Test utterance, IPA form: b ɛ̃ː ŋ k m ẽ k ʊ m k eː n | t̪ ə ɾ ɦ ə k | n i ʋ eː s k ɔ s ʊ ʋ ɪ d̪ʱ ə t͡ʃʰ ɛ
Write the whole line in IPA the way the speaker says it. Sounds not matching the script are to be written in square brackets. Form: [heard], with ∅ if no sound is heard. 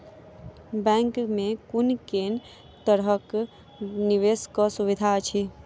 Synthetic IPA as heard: b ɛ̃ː ŋ k m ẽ k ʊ [n] k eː n | t̪ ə ɾ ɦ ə k | n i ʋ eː s k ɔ s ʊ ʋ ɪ d̪ʱ [a] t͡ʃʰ [i]

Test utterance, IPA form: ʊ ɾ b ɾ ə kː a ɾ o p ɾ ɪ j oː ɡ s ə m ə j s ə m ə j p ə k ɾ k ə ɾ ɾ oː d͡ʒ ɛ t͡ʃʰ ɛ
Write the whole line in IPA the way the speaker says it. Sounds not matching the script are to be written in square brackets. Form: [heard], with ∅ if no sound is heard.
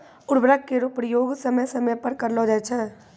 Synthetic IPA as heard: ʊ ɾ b ɾ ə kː [e] ɾ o p ɾ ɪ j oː ɡ s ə m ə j s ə m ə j p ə [∅] ɾ k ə ɾ [l] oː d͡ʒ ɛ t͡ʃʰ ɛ

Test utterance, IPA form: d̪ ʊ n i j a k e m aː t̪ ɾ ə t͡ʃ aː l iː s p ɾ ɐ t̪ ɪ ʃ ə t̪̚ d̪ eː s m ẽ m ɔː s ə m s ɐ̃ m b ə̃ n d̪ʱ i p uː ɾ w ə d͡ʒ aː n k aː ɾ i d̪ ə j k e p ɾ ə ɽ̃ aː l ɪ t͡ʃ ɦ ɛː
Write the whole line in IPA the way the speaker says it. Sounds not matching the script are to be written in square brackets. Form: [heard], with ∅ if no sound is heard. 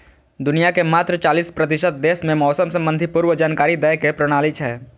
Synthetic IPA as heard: d̪ ʊ n i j a k e m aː t̪ ɾ ə t͡ʃ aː l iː s p ɾ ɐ t̪ ɪ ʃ ə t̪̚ d̪ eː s m ẽ m ɔː s ə m s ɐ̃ m b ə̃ n d̪ʱ i p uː ɾ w ə d͡ʒ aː n k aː ɾ i d̪ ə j k e p ɾ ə ɽ̃ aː l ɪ t͡ʃ ɦ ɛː

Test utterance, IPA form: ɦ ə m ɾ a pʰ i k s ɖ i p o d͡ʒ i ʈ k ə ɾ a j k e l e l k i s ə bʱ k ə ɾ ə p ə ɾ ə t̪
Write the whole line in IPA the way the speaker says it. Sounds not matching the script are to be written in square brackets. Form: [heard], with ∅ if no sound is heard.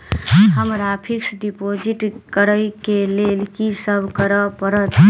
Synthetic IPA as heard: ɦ ə m ɾ a pʰ i k s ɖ i p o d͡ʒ i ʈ k ə ɾ [ə] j k e l e l k i s ə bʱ k ə ɾ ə p ə ɾ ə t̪

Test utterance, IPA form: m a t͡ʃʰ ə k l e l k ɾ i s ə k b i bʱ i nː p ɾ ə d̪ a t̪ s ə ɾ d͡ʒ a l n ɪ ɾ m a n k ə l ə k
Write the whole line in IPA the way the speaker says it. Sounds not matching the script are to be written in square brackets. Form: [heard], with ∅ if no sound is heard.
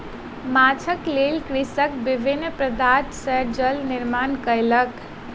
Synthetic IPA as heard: m a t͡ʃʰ ə k l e l k ɾ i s ə k b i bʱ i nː p ɾ ə d̪ a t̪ s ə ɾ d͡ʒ [ə] l n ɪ ɾ m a n k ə l ə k

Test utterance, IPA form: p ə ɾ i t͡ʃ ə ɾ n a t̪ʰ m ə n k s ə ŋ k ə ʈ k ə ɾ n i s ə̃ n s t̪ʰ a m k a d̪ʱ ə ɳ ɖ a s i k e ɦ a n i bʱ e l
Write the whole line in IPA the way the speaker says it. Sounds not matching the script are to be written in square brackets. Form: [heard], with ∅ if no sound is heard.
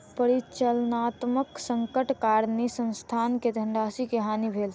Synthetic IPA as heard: p ə ɾ i t͡ʃ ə [l] n a [t̪] m ə [∅] k s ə ŋ k ə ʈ k [a] ɾ n i s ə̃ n s t̪ʰ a [n] k [e] d̪ʱ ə ɳ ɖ a s i k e ɦ a n i bʱ e l

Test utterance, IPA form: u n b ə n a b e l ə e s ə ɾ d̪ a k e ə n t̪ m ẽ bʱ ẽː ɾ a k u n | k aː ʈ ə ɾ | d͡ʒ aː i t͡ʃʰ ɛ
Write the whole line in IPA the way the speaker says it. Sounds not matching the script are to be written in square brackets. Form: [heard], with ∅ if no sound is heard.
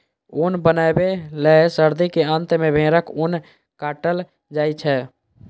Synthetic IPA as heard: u n b ə n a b e l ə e s ə ɾ d̪ [i] k e ə n t̪ m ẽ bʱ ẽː ɾ [ə] k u n | k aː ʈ ə [l] | d͡ʒ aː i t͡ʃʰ ɛ

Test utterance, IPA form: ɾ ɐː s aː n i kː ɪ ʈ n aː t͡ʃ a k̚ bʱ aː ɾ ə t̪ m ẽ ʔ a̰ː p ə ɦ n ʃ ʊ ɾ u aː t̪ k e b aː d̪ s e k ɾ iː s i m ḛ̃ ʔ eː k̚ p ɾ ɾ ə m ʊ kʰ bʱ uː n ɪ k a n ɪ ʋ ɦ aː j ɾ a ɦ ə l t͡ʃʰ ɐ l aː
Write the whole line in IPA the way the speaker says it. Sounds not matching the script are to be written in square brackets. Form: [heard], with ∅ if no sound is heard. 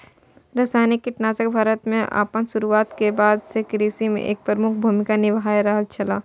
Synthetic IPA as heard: ɾ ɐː s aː n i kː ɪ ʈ n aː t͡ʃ [ə] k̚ bʱ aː ɾ ə t̪ m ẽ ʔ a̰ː p ə [∅] n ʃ ʊ ɾ u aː t̪ k e b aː d̪ s e k ɾ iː s i m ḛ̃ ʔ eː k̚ p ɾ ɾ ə m ʊ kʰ bʱ uː [m] ɪ k a n ɪ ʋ ɦ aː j ɾ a ɦ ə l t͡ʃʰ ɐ l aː

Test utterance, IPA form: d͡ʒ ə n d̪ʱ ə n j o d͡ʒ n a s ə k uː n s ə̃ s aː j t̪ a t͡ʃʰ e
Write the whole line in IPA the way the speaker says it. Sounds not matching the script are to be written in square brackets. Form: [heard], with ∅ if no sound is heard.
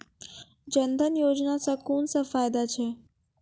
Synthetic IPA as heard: d͡ʒ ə n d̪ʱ ə n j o d͡ʒ n a s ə k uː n s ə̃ [f] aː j [d̪] a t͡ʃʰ e

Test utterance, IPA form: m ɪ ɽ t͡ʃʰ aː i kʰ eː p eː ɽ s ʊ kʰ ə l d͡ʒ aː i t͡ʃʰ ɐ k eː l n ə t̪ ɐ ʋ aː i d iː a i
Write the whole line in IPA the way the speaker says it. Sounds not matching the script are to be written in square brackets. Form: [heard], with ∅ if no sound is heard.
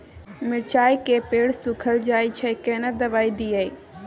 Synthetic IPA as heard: m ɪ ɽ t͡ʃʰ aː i [k] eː p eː ɽ s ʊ kʰ ə l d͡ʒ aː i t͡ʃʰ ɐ k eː [∅] n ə [d̪] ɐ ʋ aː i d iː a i

